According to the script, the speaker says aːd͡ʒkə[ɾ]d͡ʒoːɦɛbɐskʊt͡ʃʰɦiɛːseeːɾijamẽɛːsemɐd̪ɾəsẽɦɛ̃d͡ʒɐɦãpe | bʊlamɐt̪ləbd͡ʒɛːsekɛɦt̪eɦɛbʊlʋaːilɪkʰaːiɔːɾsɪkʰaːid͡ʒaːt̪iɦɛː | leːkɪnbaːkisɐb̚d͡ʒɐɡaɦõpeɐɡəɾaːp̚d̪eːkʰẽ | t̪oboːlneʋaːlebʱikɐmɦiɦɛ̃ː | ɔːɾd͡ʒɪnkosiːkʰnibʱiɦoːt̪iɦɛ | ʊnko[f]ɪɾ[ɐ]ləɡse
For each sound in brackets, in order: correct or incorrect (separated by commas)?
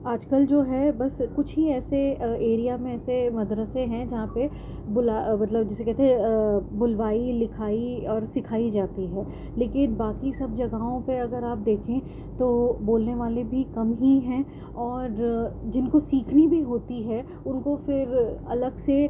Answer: incorrect, correct, correct